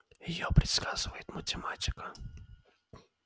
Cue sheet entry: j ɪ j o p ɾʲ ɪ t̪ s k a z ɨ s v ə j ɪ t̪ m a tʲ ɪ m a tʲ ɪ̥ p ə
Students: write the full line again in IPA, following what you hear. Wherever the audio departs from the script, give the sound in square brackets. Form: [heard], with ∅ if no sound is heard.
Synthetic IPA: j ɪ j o p ɾʲ ɪ t̪ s k a z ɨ [∅] v ə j ɪ t̪ m [ə] tʲ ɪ m a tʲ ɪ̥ [k] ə

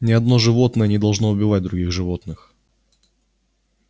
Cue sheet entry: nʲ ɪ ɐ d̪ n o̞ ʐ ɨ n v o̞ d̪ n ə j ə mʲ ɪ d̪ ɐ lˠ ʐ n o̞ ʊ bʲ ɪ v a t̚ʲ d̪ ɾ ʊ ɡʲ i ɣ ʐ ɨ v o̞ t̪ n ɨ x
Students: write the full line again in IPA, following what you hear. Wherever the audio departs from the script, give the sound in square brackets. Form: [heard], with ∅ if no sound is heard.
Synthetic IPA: nʲ ɪ ɐ d̪ n o̞ ʐ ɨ [∅] v o̞ [t̪] n ə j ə [nʲ] ɪ d̪ ɐ lˠ ʐ n o̞ ʊ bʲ ɪ v a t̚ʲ d̪ ɾ ʊ ɡʲ i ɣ ʐ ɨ v o̞ t̪ n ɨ x

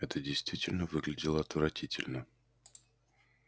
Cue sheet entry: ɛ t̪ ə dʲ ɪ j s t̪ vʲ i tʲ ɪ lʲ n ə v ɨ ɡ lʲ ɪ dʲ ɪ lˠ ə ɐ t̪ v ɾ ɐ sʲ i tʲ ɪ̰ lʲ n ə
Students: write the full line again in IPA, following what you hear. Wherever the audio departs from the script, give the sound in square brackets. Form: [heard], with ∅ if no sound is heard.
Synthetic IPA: ɛ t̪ ə dʲ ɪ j s t̪ vʲ i tʲ ɪ lʲ n ə v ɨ ɡ lʲ ɪ dʲ ɪ lˠ ə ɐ t̪ v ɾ ɐ [tʲ] i tʲ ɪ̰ lʲ n ə

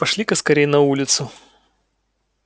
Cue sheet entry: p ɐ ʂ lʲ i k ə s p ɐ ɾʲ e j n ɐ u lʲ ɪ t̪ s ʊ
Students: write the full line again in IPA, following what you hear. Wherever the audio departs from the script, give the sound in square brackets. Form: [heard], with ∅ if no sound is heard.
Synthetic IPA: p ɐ ʂ lʲ i k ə s [k] ɐ ɾʲ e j n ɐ u lʲ ɪ t̪ s ʊ

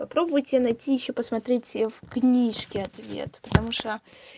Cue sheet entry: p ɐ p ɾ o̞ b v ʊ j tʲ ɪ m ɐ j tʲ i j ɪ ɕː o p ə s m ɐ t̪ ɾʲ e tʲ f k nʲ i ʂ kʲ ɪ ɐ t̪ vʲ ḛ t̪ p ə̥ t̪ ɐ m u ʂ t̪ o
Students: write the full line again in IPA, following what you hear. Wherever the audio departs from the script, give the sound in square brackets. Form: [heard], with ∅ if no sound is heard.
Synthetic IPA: p ɐ p ɾ o̞ b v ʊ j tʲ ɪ [n] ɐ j tʲ i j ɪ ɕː o p ə s m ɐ t̪ ɾʲ e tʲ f k nʲ i ʂ kʲ ɪ ɐ t̪ vʲ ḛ t̪ p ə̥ t̪ ɐ m u ʂ t̪ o

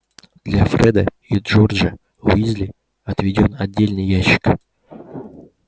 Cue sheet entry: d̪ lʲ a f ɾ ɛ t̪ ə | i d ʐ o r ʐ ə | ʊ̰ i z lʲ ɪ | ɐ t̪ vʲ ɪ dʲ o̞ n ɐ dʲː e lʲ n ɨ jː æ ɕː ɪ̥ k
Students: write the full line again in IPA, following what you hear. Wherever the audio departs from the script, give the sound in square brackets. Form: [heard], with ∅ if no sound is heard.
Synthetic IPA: d̪ lʲ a f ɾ ɛ [d̪] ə | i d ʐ o r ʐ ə | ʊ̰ i z lʲ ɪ | ɐ t̪ vʲ ɪ dʲ o̞ n ɐ dʲː e lʲ n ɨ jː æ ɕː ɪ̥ k

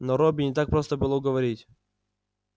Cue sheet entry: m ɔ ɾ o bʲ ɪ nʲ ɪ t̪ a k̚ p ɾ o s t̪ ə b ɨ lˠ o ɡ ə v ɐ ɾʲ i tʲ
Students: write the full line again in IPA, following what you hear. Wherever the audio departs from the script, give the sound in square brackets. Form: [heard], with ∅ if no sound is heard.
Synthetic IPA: [n] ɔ ɾ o bʲ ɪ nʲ ɪ t̪ a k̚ p ɾ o s t̪ ə b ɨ lˠ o ɡ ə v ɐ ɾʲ i tʲ

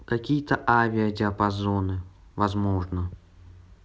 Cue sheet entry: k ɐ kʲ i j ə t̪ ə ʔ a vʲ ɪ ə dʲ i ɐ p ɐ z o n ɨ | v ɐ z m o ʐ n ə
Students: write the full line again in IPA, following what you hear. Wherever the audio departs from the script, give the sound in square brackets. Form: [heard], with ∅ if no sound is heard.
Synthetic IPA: k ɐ kʲ i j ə t̪ ə ʔ a vʲ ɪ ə dʲ [ɪ] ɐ p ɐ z o n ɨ | v ɐ z m o ʐ n ə

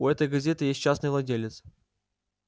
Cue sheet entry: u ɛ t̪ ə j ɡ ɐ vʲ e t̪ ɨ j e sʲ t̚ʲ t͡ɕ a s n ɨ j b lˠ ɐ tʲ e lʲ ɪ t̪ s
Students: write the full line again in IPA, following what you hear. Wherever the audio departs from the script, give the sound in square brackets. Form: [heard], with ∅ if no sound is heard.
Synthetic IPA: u ɛ t̪ ə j ɡ ɐ [zʲ] e t̪ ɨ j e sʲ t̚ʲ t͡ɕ a s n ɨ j [v] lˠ ɐ [dʲ] e lʲ ɪ t̪ s

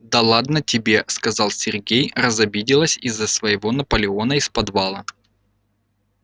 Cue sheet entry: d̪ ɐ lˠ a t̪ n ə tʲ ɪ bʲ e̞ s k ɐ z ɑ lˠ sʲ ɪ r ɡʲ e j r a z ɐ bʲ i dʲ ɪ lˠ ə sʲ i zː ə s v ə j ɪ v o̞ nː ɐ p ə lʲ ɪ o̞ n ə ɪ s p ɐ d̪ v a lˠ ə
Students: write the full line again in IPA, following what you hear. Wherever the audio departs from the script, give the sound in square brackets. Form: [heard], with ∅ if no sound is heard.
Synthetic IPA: d̪ ɐ lˠ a [d̪] n ə tʲ ɪ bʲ e̞ s k ɐ z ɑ lˠ sʲ ɪ r ɡʲ e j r [ə] z ɐ bʲ i dʲ ɪ lˠ ə sʲ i zː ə s v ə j ɪ v o̞ [n] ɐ p ə lʲ ɪ o̞ n ə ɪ s p ɐ d̪ v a lˠ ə

